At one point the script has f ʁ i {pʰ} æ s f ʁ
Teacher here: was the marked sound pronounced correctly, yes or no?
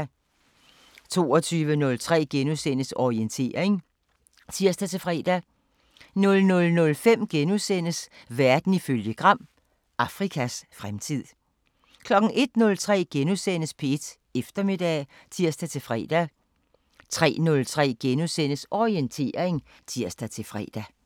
no